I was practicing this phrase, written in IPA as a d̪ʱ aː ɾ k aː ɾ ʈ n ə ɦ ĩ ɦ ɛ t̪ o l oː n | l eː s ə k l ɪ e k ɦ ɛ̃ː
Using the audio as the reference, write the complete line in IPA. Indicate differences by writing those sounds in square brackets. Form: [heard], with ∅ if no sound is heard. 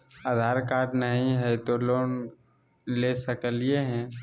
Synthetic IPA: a d̪ʱ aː ɾ k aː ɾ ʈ n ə ɦ ĩ ɦ ɛ t̪ o l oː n | l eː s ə k l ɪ e [∅] ɦ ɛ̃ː

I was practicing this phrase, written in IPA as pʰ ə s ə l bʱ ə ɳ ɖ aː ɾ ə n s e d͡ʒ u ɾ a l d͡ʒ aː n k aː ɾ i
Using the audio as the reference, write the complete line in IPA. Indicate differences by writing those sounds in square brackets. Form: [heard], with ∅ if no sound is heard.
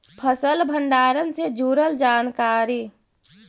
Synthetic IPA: pʰ ə s ə l bʱ ə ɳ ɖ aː ɾ ə n s e d͡ʒ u ɾ [ə] l d͡ʒ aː n k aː ɾ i

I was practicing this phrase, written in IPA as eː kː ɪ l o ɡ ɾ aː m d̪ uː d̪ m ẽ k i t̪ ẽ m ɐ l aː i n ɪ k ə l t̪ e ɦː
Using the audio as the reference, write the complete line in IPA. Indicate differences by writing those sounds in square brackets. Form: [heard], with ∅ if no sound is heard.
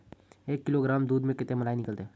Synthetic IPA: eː kː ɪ l o ɡ ɾ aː m d̪ uː d̪ m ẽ k [ɪ] t̪ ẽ m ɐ l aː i n ɪ k ə l t̪ e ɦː

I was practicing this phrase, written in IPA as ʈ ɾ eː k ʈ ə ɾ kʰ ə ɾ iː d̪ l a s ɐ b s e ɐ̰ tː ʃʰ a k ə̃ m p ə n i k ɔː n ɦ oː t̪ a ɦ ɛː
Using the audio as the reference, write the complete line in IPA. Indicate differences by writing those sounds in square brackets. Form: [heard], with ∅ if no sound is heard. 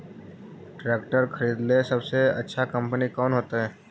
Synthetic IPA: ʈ ɾ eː k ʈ ə ɾ kʰ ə ɾ iː d̪ l [e] s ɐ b s e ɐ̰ tː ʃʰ a k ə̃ m p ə n i k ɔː n ɦ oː t̪ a ɦ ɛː

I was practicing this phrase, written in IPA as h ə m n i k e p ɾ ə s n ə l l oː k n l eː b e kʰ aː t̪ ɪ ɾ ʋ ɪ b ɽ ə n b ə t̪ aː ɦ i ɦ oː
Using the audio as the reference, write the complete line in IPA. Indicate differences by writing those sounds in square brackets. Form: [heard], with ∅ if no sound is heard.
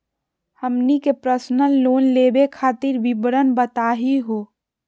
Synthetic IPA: h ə m n i k e p ɾ ə s n ə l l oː [∅] n l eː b e kʰ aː t̪ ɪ ɾ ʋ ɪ b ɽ ə n b ə t̪ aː ɦ i ɦ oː

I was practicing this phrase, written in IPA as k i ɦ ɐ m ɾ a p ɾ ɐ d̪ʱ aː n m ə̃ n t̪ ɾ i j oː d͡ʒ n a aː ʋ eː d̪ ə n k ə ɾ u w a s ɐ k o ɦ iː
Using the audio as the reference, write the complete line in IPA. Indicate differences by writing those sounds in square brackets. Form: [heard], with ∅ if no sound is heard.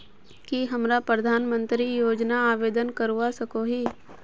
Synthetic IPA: k i ɦ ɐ m ɾ a p ɾ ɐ d̪ʱ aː n m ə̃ n t̪ ɾ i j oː d͡ʒ n a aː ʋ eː d̪ ə n k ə ɾ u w a s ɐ k o ɦ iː

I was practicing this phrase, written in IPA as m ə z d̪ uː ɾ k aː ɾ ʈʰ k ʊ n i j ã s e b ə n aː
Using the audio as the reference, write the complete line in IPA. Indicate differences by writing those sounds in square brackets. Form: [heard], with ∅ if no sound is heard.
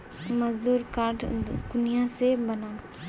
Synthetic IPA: m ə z d̪ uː ɾ k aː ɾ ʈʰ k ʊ n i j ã s e b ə n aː

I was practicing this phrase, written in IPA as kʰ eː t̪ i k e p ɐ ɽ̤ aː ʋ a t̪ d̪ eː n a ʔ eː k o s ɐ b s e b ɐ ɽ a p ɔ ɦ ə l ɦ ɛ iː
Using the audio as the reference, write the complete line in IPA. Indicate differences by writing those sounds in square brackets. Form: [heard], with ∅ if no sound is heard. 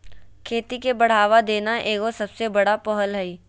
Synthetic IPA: kʰ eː t̪ i k e [b] ɐ ɽ̤ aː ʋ a [∅] d̪ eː n a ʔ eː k o s ɐ b s e b ɐ ɽ a p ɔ ɦ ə l ɦ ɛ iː

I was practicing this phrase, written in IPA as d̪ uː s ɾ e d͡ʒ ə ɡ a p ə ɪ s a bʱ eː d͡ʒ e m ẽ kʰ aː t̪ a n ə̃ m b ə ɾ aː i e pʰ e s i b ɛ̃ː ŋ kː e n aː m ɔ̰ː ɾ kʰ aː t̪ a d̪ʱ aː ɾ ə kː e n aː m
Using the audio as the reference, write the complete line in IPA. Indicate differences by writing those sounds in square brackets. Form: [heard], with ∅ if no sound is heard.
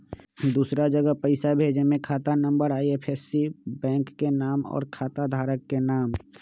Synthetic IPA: d̪ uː s ɾ [a] d͡ʒ ə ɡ [ə] p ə ɪ s a bʱ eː d͡ʒ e m ẽ kʰ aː t̪ a n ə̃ m b ə ɾ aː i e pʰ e s i b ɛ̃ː ŋ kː e n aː m ɔ̰ː ɾ kʰ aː t̪ a d̪ʱ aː ɾ ə kː e n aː m

